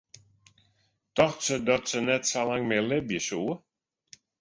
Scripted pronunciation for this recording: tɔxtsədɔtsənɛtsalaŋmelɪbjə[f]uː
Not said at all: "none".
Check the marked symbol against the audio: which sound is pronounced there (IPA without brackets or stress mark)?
s